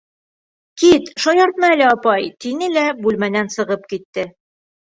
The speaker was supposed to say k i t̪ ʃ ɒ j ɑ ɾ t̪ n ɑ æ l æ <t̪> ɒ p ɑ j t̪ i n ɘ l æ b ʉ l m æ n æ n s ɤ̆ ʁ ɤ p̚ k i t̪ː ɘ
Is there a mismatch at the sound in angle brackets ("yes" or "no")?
yes